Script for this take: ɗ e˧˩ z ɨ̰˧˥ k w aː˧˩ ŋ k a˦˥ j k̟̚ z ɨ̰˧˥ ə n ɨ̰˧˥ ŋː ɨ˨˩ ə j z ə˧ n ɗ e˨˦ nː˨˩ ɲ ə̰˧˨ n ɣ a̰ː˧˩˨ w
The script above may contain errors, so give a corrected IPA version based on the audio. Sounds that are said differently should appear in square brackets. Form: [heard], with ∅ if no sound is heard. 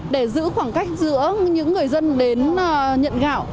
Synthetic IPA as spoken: ɗ e˧˩ z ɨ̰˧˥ [x] w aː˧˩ ŋ k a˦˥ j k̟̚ z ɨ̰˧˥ ə [ɲ] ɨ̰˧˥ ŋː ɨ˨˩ ə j z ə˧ n ɗ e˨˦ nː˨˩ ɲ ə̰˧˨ n ɣ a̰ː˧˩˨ w